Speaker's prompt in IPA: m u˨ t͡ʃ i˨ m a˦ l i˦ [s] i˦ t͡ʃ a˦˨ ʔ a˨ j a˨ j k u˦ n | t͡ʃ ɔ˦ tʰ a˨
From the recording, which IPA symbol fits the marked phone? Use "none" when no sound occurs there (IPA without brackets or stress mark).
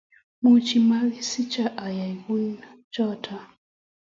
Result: s